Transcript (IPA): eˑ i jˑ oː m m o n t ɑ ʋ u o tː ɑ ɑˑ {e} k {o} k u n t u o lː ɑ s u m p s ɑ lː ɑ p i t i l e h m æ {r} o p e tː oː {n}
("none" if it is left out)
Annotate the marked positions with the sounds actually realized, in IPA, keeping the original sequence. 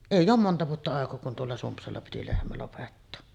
e, oː, l, none

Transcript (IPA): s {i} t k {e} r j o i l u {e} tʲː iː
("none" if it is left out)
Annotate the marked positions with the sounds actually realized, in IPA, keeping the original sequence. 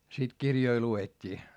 i, i, e

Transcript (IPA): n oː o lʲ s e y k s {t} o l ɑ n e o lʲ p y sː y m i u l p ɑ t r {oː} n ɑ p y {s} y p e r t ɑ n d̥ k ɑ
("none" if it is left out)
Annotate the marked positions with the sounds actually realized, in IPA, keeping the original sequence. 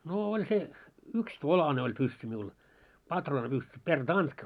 t, oː, sː

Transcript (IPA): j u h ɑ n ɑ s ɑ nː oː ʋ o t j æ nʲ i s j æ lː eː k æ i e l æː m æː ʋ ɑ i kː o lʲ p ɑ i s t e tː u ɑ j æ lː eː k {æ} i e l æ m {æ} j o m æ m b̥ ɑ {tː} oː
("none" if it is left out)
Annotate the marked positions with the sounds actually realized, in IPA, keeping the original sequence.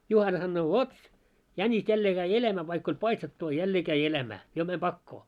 æ, æː, kː

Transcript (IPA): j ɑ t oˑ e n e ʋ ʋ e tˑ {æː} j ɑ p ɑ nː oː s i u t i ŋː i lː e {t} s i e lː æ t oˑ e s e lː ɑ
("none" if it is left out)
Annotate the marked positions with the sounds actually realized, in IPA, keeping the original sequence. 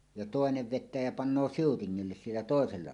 æː, s

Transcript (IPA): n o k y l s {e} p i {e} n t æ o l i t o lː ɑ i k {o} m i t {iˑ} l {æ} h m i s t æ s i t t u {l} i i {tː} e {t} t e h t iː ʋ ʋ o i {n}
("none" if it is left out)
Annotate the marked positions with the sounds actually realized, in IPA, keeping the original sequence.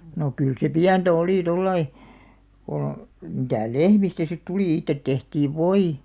e, æ, o, æˑ, e, l, tː, t, none

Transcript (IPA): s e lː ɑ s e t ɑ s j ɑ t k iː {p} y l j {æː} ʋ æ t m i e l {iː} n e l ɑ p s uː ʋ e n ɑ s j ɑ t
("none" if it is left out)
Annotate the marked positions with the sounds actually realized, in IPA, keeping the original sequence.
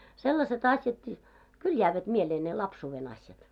k, æː, eː

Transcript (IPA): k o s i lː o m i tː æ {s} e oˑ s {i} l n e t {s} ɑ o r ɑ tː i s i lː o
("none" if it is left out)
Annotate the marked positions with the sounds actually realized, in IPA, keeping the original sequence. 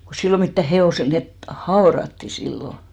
h, e, h

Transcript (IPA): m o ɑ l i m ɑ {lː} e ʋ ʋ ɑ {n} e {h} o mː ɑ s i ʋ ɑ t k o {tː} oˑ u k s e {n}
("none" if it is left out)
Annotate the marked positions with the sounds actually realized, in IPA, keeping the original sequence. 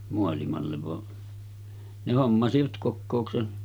lː, n, h, kː, n

